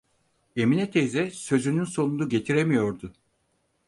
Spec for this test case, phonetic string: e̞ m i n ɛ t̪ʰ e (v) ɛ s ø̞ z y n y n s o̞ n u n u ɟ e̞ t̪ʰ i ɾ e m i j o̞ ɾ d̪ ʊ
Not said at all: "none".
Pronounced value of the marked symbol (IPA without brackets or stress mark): z